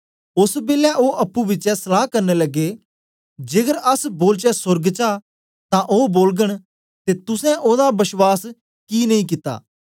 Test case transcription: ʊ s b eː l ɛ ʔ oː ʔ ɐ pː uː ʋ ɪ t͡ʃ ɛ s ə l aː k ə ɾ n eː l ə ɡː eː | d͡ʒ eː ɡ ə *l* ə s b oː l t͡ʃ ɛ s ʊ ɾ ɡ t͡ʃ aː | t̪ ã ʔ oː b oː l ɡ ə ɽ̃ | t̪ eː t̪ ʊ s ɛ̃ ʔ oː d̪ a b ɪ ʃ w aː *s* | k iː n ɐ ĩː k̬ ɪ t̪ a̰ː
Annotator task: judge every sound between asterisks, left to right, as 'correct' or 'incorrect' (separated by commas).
incorrect, correct